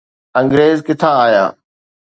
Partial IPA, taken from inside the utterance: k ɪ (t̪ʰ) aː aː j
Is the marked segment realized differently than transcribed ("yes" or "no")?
no